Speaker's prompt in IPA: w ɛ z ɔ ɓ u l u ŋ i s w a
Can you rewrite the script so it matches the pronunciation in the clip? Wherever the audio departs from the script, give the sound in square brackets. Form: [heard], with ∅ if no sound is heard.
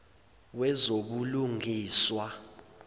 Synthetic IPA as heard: w ɛ z [o] ɓ u l u ŋ [iː] s w a